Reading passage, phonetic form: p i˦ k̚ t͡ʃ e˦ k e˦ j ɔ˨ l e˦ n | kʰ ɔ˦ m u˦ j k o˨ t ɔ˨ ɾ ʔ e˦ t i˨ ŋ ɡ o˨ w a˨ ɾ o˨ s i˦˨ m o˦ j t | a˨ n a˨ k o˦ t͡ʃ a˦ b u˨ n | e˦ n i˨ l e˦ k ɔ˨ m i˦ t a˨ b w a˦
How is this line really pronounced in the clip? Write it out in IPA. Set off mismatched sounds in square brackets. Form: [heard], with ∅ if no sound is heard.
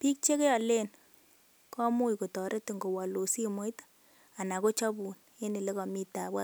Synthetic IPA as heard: p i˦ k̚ t͡ʃ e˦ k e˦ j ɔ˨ l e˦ n | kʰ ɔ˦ m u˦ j k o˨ t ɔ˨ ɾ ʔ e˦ t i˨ ŋ ɡ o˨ w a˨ [l] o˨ s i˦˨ m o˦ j t | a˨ n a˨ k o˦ t͡ʃ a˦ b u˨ n | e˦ n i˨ l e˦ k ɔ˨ m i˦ t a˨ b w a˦